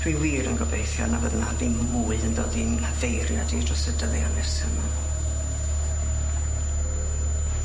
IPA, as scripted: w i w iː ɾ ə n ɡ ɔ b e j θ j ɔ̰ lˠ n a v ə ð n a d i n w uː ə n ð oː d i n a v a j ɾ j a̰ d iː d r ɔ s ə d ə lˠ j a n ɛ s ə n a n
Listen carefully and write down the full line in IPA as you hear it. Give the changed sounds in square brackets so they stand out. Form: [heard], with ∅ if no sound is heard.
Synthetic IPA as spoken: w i w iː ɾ ə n ɡ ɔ b e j θ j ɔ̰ [∅] n a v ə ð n a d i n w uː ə n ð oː d i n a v [e] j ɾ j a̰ d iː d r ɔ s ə d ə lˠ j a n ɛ s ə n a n